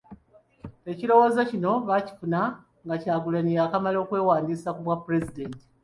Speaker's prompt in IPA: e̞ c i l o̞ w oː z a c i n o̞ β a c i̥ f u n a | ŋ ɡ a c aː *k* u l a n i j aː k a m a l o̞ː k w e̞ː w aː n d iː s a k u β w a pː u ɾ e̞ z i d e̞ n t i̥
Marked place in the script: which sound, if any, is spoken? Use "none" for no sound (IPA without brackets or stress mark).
ɡ